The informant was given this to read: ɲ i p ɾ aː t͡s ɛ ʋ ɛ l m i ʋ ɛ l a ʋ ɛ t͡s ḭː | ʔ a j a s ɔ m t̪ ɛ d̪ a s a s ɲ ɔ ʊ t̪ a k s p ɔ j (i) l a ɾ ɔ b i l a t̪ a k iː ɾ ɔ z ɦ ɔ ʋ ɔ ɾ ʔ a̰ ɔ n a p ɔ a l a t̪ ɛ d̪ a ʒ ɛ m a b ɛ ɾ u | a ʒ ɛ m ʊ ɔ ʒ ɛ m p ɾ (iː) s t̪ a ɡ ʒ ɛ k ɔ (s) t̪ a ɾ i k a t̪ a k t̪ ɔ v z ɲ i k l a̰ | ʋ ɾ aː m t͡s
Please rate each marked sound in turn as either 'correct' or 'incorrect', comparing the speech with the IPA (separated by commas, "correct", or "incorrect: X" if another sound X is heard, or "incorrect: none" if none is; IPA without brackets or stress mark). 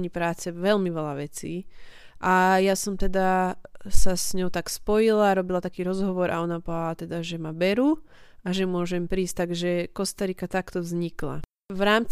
correct, correct, correct